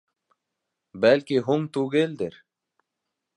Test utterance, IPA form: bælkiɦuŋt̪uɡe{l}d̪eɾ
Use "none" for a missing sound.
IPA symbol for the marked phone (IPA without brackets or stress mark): l